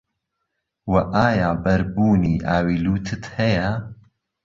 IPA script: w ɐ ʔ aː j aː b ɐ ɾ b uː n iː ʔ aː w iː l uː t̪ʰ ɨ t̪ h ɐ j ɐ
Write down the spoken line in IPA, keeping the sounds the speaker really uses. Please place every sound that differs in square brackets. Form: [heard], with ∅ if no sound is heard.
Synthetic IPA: w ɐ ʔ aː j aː b ɐ ɾ b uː n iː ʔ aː w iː l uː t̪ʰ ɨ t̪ h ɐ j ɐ